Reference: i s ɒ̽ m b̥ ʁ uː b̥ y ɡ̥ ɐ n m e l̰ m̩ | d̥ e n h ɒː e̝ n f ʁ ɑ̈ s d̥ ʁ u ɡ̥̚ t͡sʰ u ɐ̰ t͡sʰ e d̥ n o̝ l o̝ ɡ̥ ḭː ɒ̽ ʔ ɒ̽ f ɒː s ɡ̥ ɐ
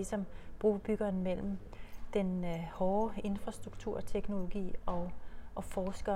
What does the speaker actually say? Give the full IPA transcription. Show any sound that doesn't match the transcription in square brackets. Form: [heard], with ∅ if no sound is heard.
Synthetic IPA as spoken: i s ɒ̽ m b̥ ʁ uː b̥ y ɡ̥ ɐ n m e l̰ m̩ | d̥ e n h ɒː e̝ n f ʁ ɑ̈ s d̥ ʁ u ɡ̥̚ t͡sʰ u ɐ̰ t͡sʰ e [ɡ̥] n o̝ l o̝ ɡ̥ ḭː ɒ̽ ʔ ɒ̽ f ɒː s ɡ̥ ɐ